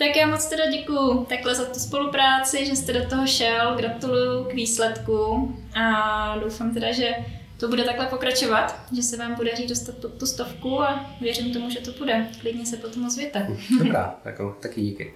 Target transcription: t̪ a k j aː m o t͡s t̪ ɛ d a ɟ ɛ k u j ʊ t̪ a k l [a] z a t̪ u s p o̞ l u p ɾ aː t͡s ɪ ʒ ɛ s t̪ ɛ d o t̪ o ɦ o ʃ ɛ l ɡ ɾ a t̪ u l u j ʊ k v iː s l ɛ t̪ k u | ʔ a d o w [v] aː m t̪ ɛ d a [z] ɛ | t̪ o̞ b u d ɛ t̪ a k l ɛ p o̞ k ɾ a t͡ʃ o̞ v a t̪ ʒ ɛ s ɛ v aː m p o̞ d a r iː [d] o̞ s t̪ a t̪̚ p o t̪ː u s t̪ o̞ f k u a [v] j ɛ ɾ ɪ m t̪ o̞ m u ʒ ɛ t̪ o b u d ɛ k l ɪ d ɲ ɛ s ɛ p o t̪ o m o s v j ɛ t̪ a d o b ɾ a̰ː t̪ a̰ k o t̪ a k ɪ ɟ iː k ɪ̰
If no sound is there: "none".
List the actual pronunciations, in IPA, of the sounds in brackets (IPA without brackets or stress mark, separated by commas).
ɛ, f, ʒ, d, v